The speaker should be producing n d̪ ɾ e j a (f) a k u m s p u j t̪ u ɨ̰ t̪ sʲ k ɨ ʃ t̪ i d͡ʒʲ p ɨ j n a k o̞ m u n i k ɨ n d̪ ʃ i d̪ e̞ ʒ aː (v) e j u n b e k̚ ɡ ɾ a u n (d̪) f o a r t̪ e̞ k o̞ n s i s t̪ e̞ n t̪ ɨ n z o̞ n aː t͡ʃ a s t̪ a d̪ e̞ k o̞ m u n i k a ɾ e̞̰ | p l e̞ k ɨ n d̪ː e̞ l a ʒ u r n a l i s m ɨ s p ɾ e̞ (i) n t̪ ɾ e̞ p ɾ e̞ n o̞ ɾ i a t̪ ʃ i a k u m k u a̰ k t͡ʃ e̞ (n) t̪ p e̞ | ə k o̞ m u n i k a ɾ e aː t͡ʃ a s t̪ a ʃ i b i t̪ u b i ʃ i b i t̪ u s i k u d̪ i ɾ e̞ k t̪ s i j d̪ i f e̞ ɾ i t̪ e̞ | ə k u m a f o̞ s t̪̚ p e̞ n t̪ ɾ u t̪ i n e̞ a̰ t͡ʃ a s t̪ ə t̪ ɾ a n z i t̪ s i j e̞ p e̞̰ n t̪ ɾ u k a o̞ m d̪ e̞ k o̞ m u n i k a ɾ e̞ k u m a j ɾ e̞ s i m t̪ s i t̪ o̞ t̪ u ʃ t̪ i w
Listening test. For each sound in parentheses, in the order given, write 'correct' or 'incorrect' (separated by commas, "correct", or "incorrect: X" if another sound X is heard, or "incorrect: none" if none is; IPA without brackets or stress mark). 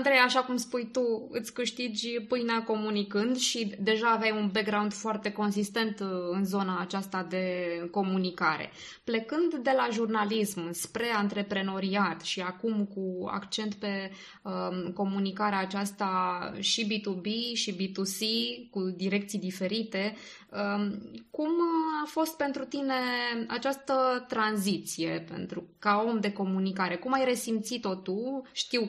incorrect: ʃ, correct, correct, incorrect: a, correct